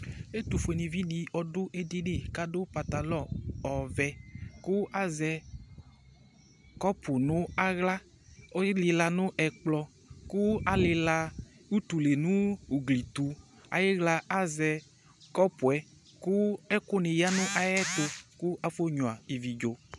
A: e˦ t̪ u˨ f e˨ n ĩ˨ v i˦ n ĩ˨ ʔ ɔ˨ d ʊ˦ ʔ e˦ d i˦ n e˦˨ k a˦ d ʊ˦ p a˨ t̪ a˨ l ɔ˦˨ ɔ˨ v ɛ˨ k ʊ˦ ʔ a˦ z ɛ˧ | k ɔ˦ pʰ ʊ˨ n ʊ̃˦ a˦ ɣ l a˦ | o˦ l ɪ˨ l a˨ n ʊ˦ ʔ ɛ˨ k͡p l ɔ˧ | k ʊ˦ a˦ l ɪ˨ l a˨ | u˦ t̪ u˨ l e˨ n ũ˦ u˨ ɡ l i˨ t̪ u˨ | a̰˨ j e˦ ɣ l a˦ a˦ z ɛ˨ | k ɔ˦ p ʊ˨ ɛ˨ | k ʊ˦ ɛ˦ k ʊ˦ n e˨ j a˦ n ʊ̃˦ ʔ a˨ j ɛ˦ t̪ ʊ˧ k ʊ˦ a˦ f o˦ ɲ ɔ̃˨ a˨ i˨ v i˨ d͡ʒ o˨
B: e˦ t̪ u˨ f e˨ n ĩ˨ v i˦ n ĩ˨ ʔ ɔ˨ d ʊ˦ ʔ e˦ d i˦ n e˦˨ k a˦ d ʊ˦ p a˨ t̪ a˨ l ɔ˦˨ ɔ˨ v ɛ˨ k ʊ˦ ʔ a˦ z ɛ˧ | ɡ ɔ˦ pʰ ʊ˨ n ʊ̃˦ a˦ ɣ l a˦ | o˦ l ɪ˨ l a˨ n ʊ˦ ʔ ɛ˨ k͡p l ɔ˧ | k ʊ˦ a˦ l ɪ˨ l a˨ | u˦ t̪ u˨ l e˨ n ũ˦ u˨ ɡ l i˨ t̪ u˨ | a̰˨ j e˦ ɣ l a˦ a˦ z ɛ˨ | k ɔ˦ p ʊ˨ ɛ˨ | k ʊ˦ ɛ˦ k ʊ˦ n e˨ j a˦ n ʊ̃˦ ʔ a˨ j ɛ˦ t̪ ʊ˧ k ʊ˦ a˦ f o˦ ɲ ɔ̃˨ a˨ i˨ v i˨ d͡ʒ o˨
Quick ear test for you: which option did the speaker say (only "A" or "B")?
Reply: A